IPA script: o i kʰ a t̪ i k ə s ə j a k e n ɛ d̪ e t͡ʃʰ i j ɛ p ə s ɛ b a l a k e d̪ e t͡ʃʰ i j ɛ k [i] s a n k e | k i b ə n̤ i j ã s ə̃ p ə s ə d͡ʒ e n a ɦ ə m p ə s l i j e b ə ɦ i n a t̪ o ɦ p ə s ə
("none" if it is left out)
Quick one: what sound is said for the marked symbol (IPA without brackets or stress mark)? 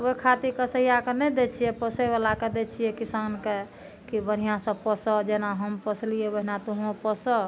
i